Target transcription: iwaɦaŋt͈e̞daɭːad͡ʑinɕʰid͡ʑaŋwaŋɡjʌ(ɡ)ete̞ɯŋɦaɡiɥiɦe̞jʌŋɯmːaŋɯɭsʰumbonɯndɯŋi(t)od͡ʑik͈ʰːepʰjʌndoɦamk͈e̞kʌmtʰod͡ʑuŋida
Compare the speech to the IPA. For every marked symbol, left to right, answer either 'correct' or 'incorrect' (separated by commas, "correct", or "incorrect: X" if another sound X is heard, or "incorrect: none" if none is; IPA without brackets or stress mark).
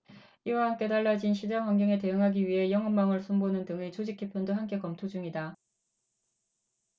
incorrect: ŋ, incorrect: t͡ɕ